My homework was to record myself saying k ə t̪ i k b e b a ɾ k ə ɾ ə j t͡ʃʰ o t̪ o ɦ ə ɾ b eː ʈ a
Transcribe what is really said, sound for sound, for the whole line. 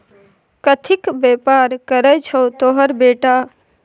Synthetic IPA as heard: k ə t̪ʰ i k b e p a ɾ k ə ɾ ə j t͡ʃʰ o t̪ o ɦ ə ɾ b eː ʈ a